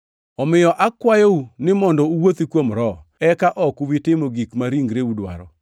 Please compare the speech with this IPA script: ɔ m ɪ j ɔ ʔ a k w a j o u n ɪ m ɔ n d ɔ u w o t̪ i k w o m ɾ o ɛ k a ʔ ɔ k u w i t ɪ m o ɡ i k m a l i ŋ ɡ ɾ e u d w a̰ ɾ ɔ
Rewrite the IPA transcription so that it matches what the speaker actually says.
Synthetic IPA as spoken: ɔ m ɪ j ɔ ʔ a k w a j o u n ɪ m ɔ n d ɔ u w o t̪ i k w o m ɾ ɔ ɛ k a ʔ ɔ k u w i t ɪ m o ɡ i k m a ɾ i ŋ ɡ ɾ e u d w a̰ ɾ ɔ